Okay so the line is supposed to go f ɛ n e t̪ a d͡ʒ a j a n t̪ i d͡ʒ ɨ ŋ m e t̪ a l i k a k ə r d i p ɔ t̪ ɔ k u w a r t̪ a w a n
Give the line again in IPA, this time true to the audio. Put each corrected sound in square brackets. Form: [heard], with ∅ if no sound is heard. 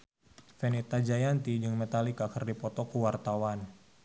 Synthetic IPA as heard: f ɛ n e t̪ a d͡ʒ a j a n t̪ i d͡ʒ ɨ ŋ m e t̪ a l i k a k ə r d i p ɔ t̪ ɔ k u w a r t̪ a w a n